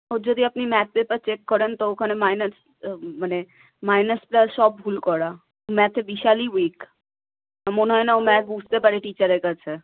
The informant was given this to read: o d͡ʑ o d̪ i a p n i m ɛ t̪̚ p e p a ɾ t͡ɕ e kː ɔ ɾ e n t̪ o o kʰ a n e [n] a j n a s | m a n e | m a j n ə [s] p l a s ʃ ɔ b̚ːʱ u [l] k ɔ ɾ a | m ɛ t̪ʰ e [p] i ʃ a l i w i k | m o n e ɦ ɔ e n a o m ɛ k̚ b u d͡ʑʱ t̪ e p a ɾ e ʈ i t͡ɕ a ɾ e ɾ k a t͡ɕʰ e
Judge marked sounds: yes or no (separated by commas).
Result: no, yes, yes, no